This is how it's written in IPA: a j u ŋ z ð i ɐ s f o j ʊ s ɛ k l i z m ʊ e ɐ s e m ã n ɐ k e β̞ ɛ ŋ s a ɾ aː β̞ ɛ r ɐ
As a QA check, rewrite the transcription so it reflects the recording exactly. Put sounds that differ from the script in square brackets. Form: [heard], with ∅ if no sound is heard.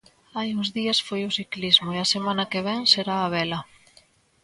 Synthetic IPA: a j u ŋ z ð i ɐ s f o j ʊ s [i] k l i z m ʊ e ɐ s e m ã n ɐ k e β̞ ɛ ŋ s [e] ɾ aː β̞ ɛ [l] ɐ